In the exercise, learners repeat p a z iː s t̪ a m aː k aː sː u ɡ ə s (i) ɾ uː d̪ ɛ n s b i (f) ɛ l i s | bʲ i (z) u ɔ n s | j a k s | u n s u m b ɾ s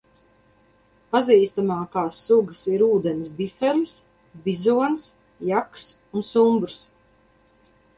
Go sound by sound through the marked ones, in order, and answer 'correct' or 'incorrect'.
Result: correct, correct, correct

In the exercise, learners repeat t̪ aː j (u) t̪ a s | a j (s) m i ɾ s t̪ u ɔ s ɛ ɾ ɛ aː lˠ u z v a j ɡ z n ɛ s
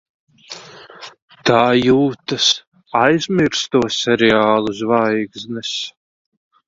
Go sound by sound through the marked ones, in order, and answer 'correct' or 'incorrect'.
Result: incorrect, incorrect

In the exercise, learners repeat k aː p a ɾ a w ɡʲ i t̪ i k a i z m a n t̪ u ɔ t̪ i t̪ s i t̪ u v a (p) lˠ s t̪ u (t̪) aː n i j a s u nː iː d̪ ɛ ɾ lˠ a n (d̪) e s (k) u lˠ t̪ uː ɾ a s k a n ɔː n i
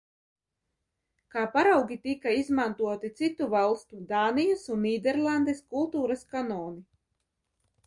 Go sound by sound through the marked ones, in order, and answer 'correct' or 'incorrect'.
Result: incorrect, incorrect, correct, correct

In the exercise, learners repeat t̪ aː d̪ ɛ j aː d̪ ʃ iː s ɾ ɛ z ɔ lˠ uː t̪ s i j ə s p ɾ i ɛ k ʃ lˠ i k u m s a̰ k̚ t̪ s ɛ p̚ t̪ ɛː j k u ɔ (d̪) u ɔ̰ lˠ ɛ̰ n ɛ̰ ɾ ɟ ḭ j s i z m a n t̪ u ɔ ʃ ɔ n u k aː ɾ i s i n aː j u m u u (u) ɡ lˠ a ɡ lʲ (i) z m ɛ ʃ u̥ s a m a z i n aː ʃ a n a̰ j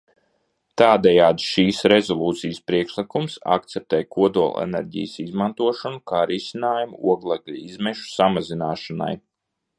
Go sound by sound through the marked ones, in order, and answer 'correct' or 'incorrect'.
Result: correct, incorrect, correct

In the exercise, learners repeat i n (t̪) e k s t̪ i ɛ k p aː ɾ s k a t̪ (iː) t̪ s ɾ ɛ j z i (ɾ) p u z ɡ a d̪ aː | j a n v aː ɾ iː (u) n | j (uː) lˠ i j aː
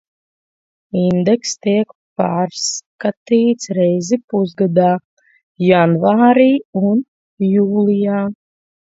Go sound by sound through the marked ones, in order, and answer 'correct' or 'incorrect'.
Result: incorrect, correct, incorrect, correct, correct

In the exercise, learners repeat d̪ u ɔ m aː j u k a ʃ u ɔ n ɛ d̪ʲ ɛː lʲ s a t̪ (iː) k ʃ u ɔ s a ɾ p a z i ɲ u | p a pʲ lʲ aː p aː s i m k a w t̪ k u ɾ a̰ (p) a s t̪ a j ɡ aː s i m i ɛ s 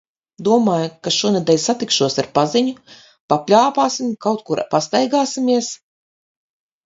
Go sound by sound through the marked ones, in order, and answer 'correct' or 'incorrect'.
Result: incorrect, correct

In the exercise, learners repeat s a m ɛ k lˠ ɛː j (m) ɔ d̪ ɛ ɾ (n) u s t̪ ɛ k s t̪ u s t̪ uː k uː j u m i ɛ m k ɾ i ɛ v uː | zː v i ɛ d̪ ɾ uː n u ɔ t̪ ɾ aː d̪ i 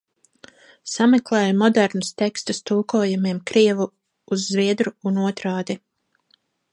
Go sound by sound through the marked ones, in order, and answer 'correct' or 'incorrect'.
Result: correct, correct

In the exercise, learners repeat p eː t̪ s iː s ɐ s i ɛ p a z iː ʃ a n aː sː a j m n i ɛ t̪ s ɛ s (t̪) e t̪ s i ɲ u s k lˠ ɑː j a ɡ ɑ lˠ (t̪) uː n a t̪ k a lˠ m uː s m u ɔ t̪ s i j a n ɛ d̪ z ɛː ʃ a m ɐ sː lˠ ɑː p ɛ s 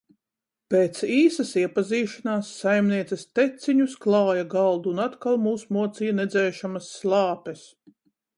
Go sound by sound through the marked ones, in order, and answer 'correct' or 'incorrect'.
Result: correct, incorrect

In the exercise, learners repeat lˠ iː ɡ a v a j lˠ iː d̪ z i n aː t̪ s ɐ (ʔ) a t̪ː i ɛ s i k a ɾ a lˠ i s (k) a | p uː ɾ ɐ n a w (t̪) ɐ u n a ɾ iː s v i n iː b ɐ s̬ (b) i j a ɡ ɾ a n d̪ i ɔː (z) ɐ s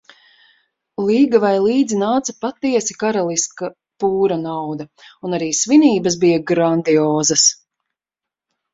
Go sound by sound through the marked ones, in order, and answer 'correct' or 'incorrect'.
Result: incorrect, correct, incorrect, correct, correct

